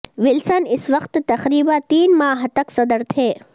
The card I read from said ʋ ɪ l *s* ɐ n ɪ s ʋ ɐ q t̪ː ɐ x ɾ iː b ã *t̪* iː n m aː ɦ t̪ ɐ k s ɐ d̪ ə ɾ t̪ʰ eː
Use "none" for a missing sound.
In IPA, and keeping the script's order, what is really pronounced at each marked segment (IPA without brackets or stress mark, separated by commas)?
s, t̪